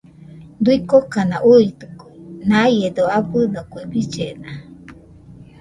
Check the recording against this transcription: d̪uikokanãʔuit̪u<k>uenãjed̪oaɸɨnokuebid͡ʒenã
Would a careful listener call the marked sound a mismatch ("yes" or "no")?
no